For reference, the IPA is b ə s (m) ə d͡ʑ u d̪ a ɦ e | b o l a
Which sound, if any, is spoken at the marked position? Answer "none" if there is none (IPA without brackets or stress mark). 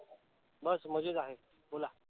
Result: m